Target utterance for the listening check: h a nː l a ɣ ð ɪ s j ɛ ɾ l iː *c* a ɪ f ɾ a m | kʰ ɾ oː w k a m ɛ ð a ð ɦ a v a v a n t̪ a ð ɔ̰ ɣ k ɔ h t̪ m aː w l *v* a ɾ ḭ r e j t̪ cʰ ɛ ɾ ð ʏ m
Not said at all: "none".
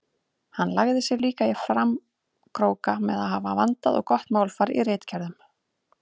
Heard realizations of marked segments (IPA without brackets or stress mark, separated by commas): k, f